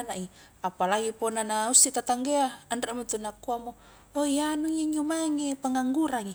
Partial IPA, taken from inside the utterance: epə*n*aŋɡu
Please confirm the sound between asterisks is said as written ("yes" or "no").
no